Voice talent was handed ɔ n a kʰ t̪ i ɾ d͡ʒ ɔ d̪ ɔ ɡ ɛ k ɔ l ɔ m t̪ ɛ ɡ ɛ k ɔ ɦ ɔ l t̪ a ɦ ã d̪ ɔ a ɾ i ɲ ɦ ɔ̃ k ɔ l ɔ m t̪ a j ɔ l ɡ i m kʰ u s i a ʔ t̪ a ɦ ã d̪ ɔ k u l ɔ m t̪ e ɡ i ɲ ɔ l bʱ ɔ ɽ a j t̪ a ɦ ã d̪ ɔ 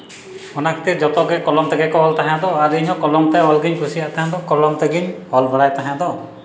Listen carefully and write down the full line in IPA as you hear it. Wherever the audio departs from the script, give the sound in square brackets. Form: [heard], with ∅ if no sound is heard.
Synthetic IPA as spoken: ɔ n a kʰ t̪ i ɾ d͡ʒ ɔ [t̪] ɔ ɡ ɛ k ɔ l ɔ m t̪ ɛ ɡ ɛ k ɔ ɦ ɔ l t̪ a ɦ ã d̪ ɔ a ɾ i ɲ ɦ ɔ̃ k ɔ l ɔ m t̪ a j ɔ l ɡ i [ɲ] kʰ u s i a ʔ t̪ a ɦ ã d̪ ɔ k [ɔ] l ɔ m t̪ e ɡ i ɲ ɔ l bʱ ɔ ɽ a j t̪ a ɦ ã d̪ ɔ